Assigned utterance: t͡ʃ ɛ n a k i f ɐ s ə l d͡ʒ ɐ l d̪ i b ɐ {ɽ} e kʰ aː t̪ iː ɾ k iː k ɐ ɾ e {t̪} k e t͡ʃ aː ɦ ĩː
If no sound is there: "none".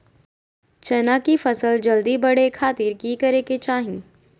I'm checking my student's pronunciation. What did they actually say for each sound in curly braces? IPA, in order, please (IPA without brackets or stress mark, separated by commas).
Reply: ɽ, none